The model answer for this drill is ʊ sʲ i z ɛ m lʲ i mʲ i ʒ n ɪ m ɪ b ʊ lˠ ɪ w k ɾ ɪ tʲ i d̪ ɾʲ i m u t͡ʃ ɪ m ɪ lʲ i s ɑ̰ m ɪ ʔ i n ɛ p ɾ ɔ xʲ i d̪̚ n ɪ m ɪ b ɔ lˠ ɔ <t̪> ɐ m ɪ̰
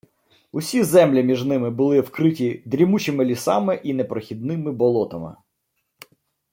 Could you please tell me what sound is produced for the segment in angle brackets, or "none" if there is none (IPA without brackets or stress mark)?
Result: t̪